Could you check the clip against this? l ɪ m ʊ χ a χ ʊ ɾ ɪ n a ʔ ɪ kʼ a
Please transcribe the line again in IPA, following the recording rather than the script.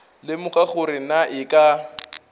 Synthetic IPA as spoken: l ɪ m ʊ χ a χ ʊ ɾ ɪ n a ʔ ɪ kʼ a